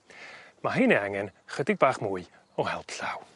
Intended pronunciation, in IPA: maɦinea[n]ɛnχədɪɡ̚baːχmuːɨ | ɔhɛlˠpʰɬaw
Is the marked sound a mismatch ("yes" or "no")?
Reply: yes